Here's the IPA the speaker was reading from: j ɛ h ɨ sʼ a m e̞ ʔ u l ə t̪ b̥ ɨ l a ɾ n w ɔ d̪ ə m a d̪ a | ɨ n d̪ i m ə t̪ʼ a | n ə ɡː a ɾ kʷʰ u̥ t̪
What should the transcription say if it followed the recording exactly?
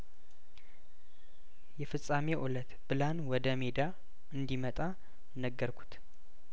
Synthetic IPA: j ɛ f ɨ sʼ a m e̞ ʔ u l ə t̪ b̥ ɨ l a n w ɔ d̪ ə m e d̪ a | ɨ n d̪ i m ə t̪ʼ a | n ə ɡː ə ɾ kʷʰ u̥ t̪